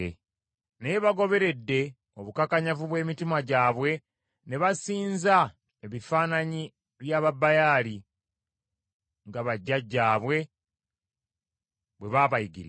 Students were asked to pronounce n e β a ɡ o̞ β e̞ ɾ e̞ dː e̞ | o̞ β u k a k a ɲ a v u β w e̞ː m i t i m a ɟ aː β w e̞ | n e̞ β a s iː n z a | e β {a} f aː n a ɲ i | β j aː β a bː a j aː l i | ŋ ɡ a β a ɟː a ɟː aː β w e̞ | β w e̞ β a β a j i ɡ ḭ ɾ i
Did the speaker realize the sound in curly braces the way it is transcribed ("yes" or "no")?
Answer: no